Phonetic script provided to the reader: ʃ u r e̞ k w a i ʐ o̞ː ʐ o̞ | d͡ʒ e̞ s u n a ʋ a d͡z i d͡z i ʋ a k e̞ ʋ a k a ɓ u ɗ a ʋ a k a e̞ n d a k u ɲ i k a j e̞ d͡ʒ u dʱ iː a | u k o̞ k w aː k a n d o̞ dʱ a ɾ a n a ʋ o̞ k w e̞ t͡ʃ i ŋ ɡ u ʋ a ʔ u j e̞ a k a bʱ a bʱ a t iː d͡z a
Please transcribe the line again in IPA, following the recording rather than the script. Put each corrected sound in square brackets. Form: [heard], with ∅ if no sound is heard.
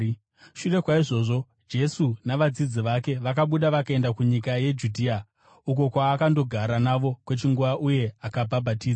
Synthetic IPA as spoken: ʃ u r e̞ k w a i ʐ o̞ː ʐ o̞ | d͡ʒ e̞ s u n a ʋ a d͡z i d͡z i ʋ a k e̞ ʋ a k a ɓ u ɗ a ʋ a k a e̞ n d a k u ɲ i k a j e̞ d͡ʒ u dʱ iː a | u k o̞ k w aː k a n d o̞ [ɡʱ] a ɾ a n a ʋ o̞ k w e̞ t͡ʃ i ŋ ɡ u ʋ a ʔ u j e̞ a k a bʱ a bʱ a t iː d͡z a